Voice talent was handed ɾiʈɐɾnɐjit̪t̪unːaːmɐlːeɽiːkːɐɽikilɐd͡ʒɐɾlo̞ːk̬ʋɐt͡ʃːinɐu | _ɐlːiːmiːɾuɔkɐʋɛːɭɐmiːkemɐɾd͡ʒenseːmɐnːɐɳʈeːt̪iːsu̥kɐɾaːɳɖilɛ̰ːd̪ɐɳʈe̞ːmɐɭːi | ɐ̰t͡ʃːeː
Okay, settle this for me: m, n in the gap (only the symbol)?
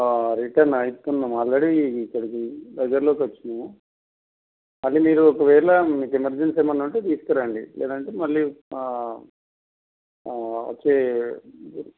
m